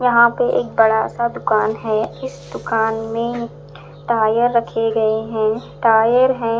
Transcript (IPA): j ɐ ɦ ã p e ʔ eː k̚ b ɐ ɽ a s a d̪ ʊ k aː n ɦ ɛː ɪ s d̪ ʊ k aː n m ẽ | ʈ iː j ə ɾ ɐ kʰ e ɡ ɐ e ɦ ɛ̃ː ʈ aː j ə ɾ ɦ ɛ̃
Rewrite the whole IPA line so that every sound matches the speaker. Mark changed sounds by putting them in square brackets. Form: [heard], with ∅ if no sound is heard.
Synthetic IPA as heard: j ɐ ɦ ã p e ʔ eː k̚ b ɐ ɽ a s a d̪ ʊ k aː n ɦ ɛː ɪ s d̪ ʊ k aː n m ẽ | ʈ [aː] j ə [ɾː] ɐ kʰ e ɡ ɐ e ɦ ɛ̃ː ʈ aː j ə ɾ ɦ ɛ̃